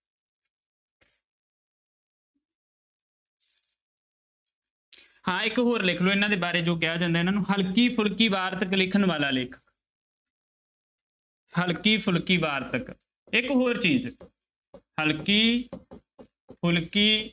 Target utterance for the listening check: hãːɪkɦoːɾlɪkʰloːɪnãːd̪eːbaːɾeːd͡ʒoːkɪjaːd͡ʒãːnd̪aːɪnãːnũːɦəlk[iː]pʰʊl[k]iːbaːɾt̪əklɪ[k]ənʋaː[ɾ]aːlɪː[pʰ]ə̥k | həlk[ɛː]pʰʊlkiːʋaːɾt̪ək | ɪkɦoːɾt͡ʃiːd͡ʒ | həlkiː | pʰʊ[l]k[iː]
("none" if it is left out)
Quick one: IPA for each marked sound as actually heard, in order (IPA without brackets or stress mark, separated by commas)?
iː, k, kʰ, l, kʰ, iː, l, iː